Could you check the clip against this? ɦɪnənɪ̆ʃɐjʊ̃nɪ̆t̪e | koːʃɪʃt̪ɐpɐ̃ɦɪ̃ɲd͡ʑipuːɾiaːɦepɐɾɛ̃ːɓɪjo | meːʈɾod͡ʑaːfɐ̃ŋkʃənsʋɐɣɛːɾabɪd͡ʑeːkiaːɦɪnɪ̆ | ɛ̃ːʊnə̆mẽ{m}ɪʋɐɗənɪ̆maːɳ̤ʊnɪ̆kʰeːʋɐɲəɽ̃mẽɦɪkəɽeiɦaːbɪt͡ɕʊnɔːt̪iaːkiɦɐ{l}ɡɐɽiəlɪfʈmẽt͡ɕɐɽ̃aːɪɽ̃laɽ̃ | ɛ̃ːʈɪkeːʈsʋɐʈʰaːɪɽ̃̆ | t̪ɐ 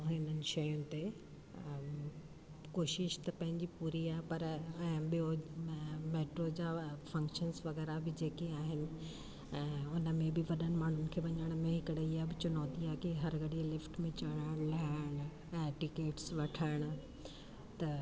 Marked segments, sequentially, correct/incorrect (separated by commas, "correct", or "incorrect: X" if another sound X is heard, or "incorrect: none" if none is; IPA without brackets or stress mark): incorrect: b, incorrect: ɾ